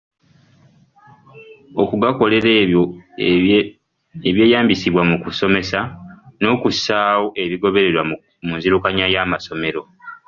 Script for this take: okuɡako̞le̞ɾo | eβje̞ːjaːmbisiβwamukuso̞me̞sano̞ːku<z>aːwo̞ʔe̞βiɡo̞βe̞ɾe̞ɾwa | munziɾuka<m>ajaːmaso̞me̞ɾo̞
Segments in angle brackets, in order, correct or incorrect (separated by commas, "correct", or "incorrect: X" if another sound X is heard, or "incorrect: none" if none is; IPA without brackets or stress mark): incorrect: s, incorrect: ɲ